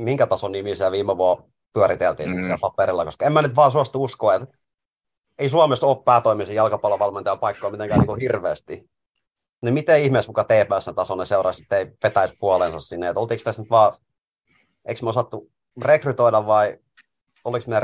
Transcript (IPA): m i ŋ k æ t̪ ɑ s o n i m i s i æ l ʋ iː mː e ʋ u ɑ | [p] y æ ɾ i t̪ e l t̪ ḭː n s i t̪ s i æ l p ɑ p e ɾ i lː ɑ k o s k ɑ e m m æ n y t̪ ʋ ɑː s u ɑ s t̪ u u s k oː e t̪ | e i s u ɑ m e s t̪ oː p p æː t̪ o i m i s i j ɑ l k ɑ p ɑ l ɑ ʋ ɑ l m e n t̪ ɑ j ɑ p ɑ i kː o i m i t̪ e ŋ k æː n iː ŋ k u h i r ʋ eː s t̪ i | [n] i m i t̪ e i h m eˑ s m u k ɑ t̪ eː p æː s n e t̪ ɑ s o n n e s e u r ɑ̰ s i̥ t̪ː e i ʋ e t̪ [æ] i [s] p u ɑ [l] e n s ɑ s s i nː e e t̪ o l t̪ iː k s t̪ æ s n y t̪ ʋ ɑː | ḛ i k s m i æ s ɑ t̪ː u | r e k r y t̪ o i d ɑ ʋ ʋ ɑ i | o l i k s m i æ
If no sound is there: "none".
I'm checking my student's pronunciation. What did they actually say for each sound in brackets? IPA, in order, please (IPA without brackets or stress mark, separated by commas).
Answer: p, n, æ, s, l